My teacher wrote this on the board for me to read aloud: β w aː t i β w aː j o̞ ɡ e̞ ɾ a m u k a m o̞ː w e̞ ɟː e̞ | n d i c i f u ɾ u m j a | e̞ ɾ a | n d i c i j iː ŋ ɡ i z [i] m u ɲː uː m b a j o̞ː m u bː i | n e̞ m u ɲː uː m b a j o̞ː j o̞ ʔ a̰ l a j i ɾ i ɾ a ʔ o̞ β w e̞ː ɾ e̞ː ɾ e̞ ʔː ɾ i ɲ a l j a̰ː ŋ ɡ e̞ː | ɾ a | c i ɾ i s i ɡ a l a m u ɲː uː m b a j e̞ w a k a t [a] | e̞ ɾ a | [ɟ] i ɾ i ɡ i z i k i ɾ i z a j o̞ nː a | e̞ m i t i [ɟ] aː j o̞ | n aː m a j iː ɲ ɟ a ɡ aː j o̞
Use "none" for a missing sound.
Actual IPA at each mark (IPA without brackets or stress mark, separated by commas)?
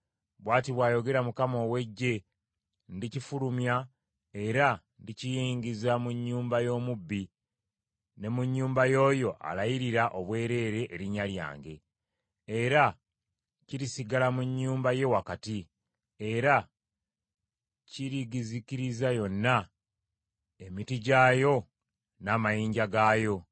a, i, c, ɟ